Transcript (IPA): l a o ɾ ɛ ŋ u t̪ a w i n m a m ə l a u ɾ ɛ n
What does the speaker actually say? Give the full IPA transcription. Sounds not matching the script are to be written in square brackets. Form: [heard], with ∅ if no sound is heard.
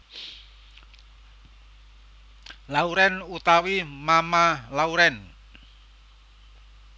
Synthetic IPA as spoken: l a [u] ɾ ɛ [n] u t̪ a w i [∅] m a m [a] l a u ɾ ɛ n

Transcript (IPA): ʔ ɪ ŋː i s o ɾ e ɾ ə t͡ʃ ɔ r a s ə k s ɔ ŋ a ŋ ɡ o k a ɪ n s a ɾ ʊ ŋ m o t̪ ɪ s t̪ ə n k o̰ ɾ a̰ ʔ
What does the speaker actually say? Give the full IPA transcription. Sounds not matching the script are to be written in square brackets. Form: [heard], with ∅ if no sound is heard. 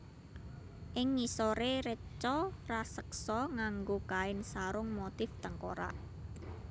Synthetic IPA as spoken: ʔ ɪ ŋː i s o ɾ e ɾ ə t͡ʃ ɔ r a s ə k s ɔ ŋ a ŋ ɡ o k a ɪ n s a ɾ ʊ ŋ m o t̪ ɪ [f] t̪ ə [ŋ] k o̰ ɾ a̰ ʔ

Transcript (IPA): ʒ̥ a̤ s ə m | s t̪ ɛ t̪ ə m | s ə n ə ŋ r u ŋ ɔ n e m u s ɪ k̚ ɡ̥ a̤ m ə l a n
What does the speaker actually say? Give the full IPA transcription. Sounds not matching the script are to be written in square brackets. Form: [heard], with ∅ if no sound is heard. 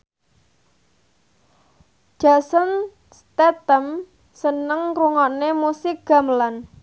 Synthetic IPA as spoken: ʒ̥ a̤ s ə [n] | s t̪ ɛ t̪ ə m | s ə n ə ŋ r u ŋ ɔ n e m u s ɪ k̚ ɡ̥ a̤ m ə l a n

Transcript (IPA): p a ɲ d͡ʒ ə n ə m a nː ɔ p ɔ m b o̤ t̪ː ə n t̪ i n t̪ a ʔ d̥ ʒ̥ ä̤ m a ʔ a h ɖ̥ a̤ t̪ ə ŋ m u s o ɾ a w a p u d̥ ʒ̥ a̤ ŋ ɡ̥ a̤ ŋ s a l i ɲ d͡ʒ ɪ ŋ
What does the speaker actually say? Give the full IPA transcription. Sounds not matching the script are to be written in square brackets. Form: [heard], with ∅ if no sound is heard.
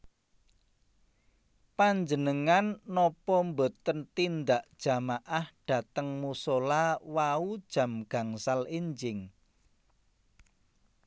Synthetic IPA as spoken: p a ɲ d͡ʒ ə n ə [ŋ] a nː ɔ p ɔ m b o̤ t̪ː ə n t̪ i n [d̪] a ʔ d̥ ʒ̥ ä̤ m a ʔ a h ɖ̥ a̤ t̪ ə ŋ m u s o [l] a w a [∅] u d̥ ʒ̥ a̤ [m] ɡ̥ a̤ ŋ s a l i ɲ d͡ʒ ɪ ŋ

